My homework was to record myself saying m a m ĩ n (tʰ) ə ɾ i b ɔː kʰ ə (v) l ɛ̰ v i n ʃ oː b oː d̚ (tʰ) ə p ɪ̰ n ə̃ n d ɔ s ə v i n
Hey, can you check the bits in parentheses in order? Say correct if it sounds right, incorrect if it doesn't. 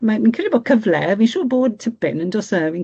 incorrect, correct, correct

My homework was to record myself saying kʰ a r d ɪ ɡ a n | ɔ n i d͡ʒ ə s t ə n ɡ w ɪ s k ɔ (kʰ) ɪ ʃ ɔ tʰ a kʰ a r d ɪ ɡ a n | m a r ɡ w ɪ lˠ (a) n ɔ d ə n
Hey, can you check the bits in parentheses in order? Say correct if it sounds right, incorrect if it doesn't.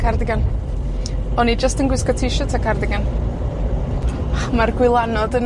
incorrect, correct

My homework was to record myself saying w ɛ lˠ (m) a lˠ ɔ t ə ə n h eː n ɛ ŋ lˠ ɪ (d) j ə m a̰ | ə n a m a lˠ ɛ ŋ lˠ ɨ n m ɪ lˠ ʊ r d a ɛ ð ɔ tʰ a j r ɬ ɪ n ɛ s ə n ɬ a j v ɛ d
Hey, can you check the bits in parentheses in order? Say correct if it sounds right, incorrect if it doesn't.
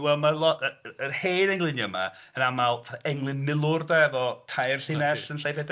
correct, incorrect

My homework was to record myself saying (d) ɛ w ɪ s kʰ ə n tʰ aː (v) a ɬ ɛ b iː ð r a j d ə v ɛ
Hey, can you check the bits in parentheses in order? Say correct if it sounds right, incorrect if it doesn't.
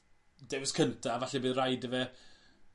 correct, correct

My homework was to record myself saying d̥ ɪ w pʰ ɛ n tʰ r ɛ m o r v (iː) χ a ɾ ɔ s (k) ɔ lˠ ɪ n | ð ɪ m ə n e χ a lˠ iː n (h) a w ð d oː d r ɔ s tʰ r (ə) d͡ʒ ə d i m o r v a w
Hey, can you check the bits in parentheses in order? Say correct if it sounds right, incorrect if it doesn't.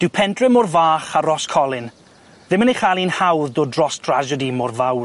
incorrect, incorrect, correct, incorrect

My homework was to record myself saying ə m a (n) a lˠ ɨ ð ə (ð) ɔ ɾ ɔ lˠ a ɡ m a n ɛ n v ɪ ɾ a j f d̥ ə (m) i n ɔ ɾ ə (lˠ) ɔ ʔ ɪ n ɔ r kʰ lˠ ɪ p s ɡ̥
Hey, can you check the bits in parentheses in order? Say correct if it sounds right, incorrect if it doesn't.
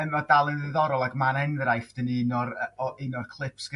incorrect, correct, incorrect, incorrect

